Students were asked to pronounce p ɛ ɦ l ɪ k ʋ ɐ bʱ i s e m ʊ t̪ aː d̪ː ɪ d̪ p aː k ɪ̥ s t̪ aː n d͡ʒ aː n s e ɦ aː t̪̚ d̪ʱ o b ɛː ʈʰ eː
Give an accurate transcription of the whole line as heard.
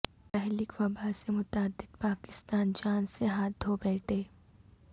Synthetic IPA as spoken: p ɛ ɦ l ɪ k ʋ ɐ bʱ a s e m ʊ t̪ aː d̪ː ɪ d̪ p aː k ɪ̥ s t̪ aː n d͡ʒ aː n s e ɦ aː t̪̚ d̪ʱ o b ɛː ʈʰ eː